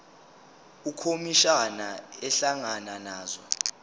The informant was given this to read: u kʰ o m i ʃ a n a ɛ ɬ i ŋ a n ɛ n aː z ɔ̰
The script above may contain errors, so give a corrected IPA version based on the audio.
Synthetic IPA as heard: u kʰ o m i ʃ a n a ɛ ɬ a ŋ a n a n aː z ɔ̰